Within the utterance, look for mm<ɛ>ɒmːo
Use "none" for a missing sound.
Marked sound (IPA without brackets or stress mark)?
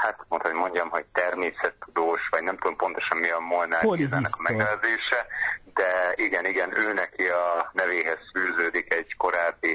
i